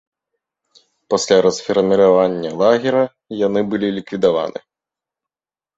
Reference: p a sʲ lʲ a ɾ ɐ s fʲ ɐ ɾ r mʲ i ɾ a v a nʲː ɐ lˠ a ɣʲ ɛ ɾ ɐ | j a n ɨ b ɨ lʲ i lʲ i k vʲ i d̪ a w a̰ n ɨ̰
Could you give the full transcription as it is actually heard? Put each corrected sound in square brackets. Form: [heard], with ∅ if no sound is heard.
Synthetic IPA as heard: p a sʲ lʲ a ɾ ɐ s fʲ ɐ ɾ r mʲ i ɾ a v a nʲː ɐ lˠ a ɣʲ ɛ ɾ ɐ | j a n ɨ b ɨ lʲ i lʲ i k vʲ i d̪ a [v] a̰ n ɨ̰

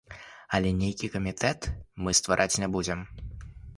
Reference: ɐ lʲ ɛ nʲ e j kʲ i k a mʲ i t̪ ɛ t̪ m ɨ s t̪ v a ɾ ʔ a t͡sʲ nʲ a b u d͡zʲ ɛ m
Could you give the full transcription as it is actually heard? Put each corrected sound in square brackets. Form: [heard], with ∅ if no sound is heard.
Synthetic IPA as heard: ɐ lʲ ɛ nʲ e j kʲ i k [ɐ] mʲ i t̪ ɛ t̪ m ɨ s t̪ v a ɾ ʔ a t͡sʲ nʲ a b u d͡zʲ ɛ m

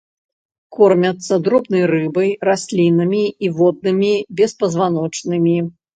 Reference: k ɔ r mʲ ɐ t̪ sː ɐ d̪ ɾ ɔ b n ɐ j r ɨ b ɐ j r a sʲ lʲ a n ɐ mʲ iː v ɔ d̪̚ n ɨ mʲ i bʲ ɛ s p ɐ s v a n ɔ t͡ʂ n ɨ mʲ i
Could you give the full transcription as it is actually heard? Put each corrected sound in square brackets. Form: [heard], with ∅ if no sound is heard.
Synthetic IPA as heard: k ɔ r mʲ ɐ t̪ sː ɐ d̪ ɾ ɔ b n ɐ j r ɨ b ɐ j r a sʲ lʲ [i] n ɐ mʲ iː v ɔ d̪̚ n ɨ mʲ i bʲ ɛ s p ɐ [z] v a n ɔ t͡ʂ n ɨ mʲ i

